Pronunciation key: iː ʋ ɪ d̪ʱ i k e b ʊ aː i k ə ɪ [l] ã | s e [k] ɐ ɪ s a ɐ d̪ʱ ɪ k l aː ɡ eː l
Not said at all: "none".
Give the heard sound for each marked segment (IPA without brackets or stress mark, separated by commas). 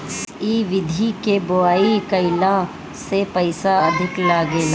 l, p